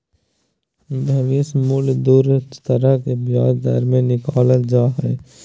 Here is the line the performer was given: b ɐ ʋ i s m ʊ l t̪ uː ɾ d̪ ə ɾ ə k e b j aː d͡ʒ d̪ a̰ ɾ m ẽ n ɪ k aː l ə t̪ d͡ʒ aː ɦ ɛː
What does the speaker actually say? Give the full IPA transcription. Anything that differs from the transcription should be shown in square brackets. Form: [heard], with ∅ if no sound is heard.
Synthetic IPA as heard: b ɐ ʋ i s m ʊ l [d̪] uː ɾ [t̪] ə ɾ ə k e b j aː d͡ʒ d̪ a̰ ɾ m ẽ n ɪ k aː l ə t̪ d͡ʒ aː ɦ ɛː